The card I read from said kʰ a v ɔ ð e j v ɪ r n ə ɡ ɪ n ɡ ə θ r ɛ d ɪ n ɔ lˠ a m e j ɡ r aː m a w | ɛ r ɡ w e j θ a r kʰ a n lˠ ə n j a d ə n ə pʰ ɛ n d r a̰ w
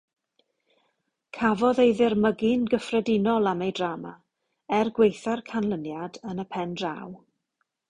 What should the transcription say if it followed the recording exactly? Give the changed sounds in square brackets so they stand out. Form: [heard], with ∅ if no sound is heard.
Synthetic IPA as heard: kʰ a v ɔ ð e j [ð] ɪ r [m] ə ɡ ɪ n ɡ ə [f] r ɛ d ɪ n ɔ lˠ a m e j [d] r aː m a [∅] | ɛ r ɡ w e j θ a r kʰ a n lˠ ə n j a d ə n ə pʰ ɛ n d r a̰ w